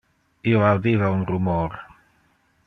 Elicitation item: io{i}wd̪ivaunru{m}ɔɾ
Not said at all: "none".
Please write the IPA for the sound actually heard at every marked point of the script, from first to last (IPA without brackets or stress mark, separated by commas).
a, m